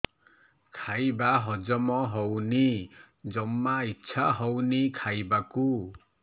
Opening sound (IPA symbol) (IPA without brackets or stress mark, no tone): kʰ